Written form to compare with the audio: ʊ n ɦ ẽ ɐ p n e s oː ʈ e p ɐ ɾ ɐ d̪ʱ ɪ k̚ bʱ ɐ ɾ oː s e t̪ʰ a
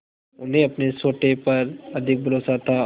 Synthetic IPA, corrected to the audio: ʊ n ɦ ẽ ɐ p n e s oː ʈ e p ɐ ɾ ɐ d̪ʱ ɪ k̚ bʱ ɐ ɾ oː s a t̪ʰ a